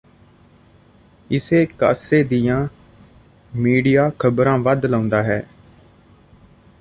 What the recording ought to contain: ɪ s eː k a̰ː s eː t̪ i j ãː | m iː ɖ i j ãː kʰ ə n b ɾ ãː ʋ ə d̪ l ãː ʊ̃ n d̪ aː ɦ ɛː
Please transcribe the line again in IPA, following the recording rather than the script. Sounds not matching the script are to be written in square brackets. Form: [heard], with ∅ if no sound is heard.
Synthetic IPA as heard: ɪ s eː k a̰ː s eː [d̪] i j ãː | m iː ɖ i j [aː] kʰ ə [∅] b ɾ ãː ʋ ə d̪ l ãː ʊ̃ n d̪ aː ɦ ɛː